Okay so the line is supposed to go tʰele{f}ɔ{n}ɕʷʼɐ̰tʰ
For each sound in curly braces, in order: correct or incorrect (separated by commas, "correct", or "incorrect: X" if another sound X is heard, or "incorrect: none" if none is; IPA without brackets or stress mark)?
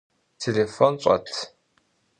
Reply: correct, correct